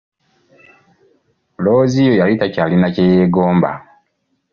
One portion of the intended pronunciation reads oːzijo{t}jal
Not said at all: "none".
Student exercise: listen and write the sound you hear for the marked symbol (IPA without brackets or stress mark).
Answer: none